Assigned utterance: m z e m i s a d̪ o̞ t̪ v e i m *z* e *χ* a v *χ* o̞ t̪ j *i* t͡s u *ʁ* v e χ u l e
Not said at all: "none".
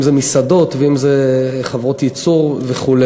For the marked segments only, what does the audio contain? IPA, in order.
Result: z, χ, ʁ, i, ʁ

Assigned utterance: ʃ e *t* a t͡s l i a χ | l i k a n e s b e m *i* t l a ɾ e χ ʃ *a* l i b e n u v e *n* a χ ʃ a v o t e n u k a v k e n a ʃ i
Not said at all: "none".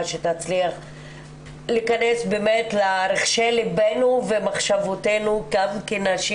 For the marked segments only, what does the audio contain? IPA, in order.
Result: t, e, e, m

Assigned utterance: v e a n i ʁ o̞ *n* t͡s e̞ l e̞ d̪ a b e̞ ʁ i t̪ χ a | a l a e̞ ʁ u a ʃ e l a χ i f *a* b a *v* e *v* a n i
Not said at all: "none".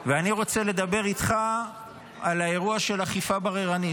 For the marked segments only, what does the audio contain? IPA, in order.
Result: none, a, ʁ, ʁ

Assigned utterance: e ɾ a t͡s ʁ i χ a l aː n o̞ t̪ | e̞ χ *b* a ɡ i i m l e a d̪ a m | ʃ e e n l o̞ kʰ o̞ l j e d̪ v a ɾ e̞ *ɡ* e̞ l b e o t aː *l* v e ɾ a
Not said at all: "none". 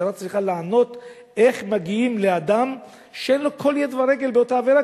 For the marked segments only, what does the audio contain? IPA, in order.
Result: m, ɡ, none

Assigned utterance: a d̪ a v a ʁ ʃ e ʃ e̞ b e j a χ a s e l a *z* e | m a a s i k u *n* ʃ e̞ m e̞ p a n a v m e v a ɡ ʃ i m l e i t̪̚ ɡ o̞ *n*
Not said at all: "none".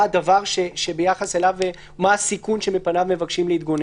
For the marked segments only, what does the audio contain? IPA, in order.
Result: v, n, n

